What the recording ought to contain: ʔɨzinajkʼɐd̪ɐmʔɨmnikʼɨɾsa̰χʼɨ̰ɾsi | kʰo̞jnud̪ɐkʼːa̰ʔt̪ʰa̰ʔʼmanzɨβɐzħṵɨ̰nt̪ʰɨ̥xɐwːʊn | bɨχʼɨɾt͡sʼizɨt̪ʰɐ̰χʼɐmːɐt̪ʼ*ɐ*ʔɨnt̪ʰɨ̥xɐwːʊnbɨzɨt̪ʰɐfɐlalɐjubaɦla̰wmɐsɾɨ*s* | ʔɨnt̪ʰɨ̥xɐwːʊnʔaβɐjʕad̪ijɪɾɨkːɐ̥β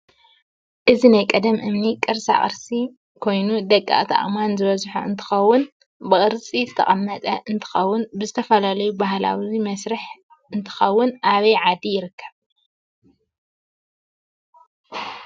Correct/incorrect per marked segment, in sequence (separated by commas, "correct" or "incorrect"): correct, incorrect